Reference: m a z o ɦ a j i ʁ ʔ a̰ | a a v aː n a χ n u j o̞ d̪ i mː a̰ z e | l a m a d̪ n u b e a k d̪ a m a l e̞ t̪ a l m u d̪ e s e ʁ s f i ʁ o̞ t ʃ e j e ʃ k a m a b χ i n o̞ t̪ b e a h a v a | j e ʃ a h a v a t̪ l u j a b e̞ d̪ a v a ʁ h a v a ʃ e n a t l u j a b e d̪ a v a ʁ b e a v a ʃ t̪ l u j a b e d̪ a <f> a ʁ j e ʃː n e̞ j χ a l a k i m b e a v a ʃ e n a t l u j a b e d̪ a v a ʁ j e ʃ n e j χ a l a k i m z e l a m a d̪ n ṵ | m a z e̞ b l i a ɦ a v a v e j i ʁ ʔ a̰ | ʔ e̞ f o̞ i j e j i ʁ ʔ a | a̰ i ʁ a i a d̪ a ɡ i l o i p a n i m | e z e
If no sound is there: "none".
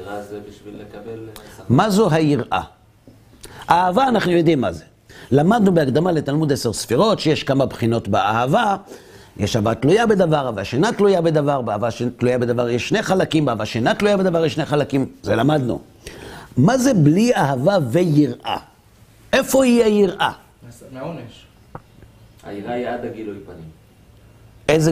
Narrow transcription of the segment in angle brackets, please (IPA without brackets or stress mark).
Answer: v